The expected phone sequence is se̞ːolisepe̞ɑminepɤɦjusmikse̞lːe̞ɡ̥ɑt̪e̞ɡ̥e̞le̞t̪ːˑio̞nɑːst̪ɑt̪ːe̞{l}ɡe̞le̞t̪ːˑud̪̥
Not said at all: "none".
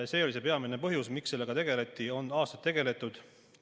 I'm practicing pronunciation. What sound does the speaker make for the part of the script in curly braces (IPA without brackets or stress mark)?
none